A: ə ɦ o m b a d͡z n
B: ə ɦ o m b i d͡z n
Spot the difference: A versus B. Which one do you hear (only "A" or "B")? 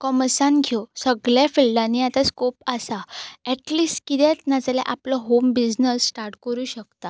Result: B